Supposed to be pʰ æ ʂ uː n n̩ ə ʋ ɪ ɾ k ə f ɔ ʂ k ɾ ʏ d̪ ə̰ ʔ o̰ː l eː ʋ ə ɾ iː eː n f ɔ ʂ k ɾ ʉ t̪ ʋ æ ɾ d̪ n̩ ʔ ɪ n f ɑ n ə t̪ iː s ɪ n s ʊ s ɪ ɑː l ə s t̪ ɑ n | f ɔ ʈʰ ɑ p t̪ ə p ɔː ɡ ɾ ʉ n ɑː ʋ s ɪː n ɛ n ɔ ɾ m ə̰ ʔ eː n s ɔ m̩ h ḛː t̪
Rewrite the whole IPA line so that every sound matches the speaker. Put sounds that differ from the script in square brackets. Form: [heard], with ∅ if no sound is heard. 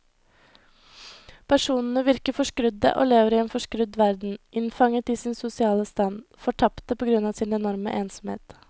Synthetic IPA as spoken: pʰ æ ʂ uː n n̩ ə ʋ ɪ ɾ k ə f ɔ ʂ k ɾ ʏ d̪ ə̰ ʔ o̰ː l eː ʋ ə ɾ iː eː n f ɔ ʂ k ɾ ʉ [d̪] ʋ æ ɾ d̪ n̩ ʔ ɪ n f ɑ [ŋ] ə t̪ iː s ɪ n s ʊ s ɪ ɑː l ə s t̪ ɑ n | f ɔ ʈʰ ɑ p t̪ ə p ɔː ɡ ɾ ʉ n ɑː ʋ s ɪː n ɛ n ɔ ɾ m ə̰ ʔ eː n s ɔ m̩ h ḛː t̪

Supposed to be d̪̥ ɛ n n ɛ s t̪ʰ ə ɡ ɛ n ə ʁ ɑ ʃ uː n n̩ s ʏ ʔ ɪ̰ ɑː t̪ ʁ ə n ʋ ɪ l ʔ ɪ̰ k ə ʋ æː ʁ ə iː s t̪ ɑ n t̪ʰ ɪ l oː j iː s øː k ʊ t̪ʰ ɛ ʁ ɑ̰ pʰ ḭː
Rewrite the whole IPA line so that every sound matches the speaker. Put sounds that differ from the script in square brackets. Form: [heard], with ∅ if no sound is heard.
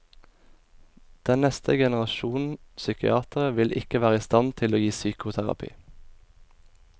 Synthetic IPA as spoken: d̪̥ ɛ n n ɛ s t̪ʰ ə ɡ ɛ n ə ʁ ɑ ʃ uː n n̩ s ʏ [k] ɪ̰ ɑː t̪ ʁ ə [∅] ʋ ɪ l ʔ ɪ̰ k ə ʋ æː ʁ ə iː s t̪ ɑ n t̪ʰ ɪ l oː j iː s [yː] k ʊ t̪ʰ [æ] ʁ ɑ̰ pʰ ḭː

